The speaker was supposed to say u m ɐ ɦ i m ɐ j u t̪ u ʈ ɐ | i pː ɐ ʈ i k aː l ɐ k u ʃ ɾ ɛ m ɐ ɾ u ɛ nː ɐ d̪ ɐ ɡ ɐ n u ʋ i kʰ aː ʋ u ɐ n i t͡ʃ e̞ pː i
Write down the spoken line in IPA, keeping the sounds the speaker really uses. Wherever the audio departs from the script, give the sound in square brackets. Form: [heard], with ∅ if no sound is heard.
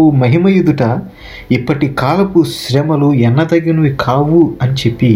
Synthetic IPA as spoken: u m ɐ ɦ i m ɐ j u [d̪] u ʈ ɐ | i pː ɐ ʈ i k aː l ɐ [p] u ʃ ɾ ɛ m ɐ [l] u ɛ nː ɐ d̪ ɐ ɡ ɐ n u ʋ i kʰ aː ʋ u ɐ n i t͡ʃ e̞ pː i